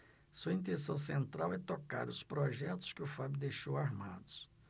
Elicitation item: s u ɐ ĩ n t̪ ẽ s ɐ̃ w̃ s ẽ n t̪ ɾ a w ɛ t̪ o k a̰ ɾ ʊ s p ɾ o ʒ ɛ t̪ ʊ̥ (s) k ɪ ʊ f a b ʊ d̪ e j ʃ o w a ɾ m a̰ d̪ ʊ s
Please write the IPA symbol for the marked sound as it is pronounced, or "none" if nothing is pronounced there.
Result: s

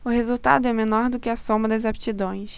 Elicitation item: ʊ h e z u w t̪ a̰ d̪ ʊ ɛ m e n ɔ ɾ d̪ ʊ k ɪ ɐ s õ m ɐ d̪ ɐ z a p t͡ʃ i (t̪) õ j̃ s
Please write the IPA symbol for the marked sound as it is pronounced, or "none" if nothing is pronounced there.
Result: d̪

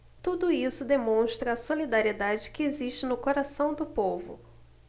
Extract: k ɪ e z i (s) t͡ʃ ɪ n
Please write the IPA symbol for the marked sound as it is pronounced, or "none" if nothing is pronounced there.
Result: ʃ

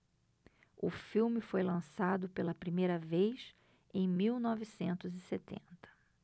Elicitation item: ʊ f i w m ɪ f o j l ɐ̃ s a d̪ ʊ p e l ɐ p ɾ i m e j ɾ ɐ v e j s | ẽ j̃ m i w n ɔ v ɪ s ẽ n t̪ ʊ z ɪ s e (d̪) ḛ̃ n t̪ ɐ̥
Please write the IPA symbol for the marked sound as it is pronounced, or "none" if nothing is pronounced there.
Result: t̪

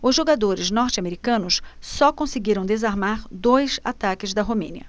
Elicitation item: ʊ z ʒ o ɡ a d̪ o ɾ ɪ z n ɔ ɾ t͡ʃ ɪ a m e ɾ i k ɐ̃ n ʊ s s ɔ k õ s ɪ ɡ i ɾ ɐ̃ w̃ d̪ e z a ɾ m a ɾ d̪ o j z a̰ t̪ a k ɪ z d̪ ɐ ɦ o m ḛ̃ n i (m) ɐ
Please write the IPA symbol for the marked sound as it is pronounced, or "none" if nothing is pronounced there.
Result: none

